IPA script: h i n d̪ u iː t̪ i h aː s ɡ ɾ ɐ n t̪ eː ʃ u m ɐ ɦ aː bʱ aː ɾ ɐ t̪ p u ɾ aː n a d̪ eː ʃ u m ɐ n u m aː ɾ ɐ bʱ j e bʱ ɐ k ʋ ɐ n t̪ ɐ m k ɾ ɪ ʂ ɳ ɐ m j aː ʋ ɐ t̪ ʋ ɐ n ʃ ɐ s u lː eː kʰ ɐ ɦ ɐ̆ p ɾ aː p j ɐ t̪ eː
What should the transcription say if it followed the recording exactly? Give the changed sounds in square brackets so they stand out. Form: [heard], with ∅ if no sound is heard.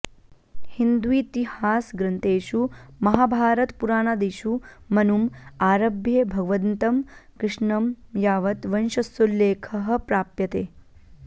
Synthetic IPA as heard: h i n d̪ u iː t̪ i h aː s ɡ ɾ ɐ n t̪ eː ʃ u m ɐ ɦ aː bʱ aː ɾ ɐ t̪ p u ɾ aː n a d̪ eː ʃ u m ɐ n u m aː ɾ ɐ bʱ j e bʱ ɐ [ɡ] ʋ ɐ n t̪ ɐ m k ɾ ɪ ʂ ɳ ɐ m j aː ʋ ɐ t̪ ʋ ɐ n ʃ ɐ s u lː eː kʰ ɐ ɦ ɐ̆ p ɾ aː p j ɐ t̪ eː